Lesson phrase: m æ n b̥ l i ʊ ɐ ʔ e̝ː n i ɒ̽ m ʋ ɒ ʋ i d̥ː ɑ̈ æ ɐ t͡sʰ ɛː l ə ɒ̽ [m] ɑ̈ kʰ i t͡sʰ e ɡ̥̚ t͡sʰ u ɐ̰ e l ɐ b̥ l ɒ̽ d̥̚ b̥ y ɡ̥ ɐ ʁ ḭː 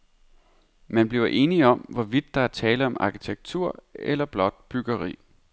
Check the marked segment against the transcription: correct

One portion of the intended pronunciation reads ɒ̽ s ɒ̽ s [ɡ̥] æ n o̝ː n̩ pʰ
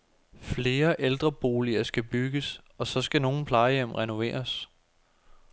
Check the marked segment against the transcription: correct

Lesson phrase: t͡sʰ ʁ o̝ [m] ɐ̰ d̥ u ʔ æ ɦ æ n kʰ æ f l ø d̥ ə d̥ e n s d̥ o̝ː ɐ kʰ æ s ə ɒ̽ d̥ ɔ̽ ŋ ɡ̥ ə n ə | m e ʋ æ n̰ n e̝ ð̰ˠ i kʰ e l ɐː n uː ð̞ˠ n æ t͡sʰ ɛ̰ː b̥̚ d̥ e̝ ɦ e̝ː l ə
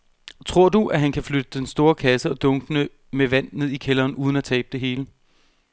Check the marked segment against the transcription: incorrect: none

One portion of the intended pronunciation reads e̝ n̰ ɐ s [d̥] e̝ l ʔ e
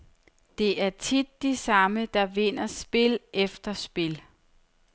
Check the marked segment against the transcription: incorrect: b̥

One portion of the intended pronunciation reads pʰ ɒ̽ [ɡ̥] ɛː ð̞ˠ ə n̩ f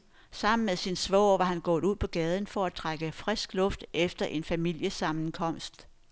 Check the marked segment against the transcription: correct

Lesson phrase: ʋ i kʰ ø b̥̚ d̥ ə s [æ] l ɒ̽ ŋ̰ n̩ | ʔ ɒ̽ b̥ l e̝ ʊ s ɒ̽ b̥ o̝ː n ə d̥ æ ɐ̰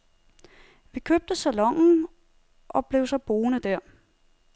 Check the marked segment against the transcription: correct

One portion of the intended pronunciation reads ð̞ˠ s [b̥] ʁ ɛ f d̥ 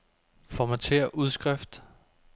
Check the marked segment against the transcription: incorrect: ɡ̥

